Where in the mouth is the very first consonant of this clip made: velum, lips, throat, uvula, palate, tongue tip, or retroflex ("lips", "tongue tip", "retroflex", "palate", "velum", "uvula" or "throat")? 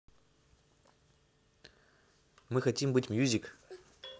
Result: lips